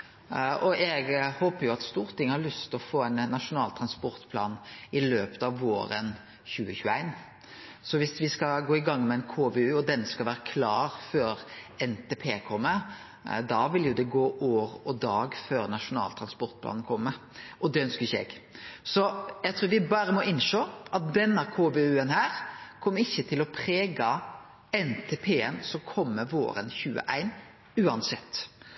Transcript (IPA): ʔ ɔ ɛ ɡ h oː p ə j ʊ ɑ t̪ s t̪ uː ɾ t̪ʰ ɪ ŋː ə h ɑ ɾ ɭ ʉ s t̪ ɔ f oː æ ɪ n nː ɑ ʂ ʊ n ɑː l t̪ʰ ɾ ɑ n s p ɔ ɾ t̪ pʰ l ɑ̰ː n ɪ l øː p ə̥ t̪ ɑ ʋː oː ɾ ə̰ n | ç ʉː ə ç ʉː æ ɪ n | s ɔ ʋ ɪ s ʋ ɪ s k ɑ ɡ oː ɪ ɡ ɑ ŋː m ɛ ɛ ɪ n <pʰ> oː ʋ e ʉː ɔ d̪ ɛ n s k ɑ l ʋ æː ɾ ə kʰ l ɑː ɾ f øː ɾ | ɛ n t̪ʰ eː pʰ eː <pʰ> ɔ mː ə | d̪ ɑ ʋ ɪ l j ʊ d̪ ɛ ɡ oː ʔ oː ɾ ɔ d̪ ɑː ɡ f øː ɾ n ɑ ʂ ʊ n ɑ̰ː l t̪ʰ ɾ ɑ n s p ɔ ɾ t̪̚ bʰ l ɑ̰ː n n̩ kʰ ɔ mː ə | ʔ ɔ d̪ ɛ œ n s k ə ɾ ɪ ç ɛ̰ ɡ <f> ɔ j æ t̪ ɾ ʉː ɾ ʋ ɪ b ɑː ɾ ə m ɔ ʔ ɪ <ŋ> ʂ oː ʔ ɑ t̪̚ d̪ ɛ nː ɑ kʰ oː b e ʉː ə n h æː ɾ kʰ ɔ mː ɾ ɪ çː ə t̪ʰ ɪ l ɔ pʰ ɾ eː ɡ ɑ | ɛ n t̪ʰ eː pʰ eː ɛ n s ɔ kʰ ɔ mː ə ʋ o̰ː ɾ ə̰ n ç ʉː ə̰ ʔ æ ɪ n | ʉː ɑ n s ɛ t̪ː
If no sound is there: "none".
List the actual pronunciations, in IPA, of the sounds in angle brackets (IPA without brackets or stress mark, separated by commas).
kʰ, kʰ, s, n